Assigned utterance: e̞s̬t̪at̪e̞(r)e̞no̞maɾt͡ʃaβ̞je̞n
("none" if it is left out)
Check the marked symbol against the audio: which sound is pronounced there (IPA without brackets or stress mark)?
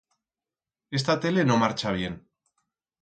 l